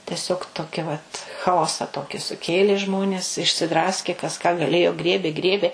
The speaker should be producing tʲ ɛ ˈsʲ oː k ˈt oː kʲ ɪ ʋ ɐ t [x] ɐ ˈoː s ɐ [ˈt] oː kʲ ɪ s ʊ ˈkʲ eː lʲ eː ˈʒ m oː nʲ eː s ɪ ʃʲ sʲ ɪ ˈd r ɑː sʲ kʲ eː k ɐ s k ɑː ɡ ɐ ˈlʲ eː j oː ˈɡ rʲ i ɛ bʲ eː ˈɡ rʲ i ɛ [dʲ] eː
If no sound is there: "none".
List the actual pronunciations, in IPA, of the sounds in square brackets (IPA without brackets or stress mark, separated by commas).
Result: x, t, bʲ